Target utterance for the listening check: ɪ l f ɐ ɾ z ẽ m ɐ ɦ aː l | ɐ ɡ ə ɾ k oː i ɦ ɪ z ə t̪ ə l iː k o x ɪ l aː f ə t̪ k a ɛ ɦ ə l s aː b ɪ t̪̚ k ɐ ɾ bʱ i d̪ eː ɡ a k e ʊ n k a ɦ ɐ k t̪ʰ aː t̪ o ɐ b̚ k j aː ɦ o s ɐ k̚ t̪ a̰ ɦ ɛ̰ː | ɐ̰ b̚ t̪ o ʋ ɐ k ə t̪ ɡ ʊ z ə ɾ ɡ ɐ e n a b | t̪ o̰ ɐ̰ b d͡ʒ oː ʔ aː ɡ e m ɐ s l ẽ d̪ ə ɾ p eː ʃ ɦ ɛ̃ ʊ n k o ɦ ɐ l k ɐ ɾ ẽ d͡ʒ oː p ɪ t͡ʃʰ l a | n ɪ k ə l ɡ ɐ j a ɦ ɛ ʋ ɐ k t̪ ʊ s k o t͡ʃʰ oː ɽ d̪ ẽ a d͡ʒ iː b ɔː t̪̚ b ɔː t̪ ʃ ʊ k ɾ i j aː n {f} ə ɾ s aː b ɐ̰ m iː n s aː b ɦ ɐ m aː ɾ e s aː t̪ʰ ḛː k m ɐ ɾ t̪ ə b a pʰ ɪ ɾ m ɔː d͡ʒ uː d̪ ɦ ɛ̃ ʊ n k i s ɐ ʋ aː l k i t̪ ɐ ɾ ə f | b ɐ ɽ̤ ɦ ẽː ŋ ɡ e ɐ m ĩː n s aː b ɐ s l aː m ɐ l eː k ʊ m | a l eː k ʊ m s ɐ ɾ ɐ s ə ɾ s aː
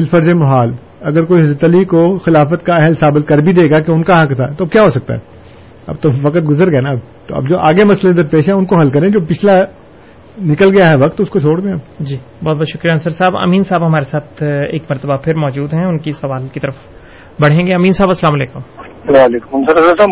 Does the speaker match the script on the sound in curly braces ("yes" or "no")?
no